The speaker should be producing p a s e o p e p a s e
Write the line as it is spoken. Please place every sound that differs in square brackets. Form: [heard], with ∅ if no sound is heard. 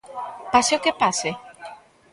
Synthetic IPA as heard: p a s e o [k] e p a s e